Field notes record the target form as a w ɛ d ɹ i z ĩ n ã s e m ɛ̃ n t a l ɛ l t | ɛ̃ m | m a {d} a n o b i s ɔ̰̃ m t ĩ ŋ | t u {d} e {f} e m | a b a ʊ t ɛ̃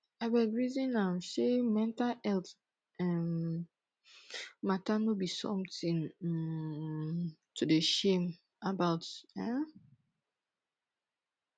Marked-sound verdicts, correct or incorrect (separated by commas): incorrect, correct, incorrect